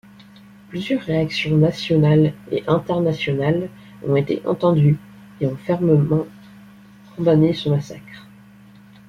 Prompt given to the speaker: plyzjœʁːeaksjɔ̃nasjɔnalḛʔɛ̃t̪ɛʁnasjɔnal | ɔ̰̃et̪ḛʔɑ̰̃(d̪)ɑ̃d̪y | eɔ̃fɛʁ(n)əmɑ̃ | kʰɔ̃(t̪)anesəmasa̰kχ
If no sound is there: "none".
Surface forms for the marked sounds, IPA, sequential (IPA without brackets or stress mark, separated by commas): t̪, m, d̪